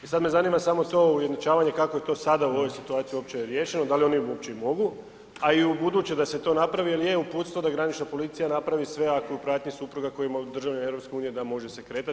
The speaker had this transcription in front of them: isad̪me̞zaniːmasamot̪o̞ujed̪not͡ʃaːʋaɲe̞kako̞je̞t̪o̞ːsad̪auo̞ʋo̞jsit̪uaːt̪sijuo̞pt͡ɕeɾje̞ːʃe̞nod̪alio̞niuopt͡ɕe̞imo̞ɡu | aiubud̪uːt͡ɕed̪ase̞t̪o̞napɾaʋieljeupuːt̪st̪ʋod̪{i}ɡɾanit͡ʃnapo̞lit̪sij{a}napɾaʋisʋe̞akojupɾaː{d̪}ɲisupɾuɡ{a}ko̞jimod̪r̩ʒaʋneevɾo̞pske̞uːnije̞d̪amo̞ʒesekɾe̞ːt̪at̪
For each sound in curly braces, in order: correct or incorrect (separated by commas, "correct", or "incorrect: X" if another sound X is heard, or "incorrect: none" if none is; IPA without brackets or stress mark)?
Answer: incorrect: a, correct, incorrect: t̪, correct